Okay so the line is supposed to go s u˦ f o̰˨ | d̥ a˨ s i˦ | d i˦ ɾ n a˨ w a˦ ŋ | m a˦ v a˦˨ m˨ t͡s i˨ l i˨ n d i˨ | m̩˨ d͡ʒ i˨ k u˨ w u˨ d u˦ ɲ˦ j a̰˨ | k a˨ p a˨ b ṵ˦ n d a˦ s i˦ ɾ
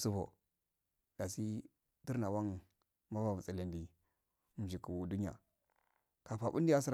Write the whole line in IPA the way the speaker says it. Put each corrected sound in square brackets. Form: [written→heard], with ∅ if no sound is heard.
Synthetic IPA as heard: s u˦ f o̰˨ | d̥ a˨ s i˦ | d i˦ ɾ n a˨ w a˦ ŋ | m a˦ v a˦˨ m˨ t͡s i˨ l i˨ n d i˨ | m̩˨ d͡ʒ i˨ k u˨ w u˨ d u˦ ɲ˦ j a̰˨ | k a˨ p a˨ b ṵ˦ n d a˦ s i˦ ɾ